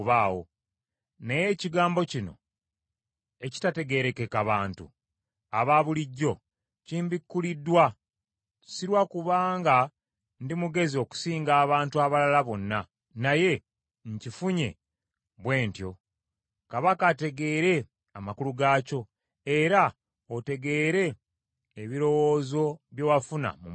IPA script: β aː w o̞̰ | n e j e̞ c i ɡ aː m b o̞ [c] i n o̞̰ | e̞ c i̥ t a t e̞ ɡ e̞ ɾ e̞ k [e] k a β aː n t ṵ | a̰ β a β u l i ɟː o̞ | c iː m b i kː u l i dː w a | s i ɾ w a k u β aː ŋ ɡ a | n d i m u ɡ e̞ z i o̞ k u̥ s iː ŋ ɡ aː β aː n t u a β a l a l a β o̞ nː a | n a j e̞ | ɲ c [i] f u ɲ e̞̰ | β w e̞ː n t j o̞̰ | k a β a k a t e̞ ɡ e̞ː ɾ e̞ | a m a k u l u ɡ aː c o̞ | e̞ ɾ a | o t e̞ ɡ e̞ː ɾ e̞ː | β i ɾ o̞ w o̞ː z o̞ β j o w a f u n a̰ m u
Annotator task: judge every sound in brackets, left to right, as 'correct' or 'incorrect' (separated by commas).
correct, correct, correct